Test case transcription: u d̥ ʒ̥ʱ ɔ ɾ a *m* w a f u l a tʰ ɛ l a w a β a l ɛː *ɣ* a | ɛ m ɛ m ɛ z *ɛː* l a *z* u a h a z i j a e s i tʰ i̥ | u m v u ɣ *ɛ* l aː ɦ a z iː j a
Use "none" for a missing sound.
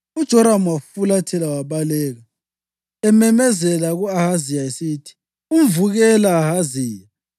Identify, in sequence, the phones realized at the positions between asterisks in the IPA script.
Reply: m, ɣ, ɛ, ɣ, ɛ

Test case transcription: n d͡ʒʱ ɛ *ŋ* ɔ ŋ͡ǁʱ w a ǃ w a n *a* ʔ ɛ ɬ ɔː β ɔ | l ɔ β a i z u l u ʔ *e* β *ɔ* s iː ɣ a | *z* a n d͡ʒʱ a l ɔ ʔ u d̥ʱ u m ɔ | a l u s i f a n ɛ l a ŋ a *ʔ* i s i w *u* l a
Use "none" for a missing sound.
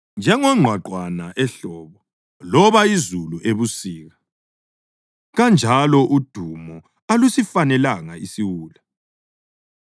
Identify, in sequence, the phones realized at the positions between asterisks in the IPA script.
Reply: ŋ, a, e, u, ɣ, none, uː

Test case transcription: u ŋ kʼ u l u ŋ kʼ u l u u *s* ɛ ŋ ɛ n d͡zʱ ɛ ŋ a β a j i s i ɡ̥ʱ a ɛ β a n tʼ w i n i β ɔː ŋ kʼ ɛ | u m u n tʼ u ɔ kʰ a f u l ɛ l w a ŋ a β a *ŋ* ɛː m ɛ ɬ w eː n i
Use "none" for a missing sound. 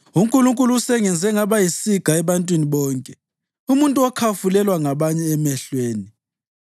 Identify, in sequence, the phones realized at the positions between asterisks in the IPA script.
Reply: s, ɲ

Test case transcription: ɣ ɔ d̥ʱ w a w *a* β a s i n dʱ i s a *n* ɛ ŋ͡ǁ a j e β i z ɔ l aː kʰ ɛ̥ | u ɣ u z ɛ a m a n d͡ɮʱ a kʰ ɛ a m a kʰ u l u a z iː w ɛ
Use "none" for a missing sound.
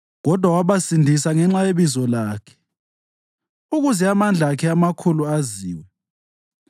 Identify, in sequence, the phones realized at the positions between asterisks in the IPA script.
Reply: a, ŋ

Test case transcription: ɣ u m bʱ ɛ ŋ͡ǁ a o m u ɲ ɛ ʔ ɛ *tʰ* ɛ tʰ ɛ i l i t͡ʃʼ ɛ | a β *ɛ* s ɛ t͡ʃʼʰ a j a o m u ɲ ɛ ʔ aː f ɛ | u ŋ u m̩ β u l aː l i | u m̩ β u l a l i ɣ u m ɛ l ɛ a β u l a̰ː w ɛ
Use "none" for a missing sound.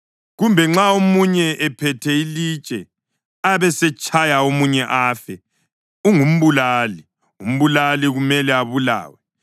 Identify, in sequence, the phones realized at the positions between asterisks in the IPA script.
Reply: pʰ, ɛ

